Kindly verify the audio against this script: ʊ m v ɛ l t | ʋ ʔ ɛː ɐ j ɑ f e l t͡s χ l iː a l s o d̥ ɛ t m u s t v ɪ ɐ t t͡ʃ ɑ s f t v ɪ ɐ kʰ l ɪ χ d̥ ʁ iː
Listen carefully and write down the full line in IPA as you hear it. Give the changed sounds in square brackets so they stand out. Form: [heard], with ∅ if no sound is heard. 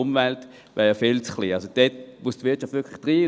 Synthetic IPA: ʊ m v ɛ l t | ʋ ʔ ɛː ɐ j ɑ f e l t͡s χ l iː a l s o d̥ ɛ t m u s t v ɪ ɐ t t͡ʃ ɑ [∅] f t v ɪ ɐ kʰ l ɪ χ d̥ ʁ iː